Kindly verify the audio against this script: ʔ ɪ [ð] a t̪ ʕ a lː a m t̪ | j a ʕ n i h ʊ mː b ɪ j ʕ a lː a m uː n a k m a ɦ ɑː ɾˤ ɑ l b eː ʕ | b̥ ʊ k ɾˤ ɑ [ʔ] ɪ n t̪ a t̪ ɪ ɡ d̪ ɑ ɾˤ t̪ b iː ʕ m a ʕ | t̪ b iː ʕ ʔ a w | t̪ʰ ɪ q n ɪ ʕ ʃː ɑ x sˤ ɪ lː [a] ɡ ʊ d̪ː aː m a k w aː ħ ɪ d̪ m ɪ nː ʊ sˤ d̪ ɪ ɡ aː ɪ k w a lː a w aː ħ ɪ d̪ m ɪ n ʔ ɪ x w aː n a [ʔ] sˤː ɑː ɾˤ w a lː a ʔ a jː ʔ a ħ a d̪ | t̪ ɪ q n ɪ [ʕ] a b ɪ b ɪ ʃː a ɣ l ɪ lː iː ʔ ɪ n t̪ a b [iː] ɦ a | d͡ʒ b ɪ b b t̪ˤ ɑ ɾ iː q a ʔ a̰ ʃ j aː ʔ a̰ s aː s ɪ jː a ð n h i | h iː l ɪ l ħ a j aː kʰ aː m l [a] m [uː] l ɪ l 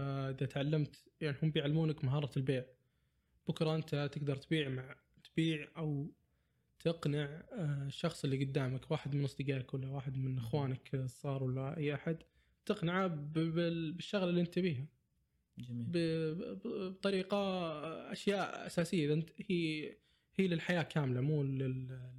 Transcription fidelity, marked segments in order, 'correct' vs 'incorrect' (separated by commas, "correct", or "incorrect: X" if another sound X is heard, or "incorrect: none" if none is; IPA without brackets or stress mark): correct, correct, incorrect: i, incorrect: k, correct, correct, correct, correct